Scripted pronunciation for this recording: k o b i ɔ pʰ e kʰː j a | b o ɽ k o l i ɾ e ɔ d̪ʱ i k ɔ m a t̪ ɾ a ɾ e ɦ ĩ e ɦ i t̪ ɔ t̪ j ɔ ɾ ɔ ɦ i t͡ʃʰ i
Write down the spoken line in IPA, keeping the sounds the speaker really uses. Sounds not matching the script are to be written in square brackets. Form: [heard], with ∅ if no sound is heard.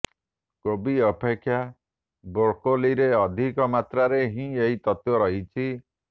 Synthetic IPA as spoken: k o b i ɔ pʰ e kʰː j a | b o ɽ k o l i ɾ e ɔ d̪ʱ i k ɔ m a t̪ ɾ a ɾ e ɦ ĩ e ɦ i t̪ ɔ t̪ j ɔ ɾ ɔ ɦ i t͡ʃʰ i